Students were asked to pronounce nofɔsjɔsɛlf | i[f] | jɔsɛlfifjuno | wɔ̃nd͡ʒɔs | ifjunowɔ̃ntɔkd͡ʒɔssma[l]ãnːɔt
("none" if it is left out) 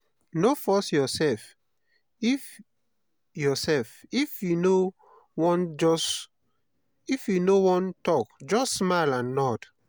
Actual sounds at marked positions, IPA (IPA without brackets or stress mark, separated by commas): f, l